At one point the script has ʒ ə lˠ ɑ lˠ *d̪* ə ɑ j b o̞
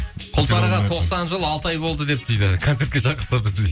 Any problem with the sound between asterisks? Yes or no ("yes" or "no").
yes